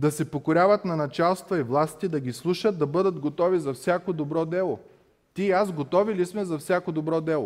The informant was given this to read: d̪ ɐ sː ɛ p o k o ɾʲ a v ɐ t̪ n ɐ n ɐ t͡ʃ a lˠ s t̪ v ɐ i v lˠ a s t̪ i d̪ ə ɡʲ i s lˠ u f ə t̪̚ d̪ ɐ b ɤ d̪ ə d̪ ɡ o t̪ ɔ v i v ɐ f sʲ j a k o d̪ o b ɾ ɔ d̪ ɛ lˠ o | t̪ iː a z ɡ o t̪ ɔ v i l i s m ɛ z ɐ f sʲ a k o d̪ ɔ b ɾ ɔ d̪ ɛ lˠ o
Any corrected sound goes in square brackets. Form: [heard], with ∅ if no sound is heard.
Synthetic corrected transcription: d̪ ɐ [s] ɛ p o k o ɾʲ a v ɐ t̪ n ɐ n ɐ t͡ʃ a lˠ s t̪ v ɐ i v lˠ a s t̪ i d̪ [ɐ] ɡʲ i s lˠ u [ʃ] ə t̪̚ d̪ ɐ b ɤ d̪ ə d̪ ɡ o t̪ ɔ v i [z] ɐ f sʲ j a k o d̪ o b ɾ ɔ d̪ ɛ lˠ o | t̪ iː a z ɡ o t̪ ɔ v i l i s m ɛ z ɐ f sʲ a k o d̪ [o] b ɾ ɔ d̪ ɛ lˠ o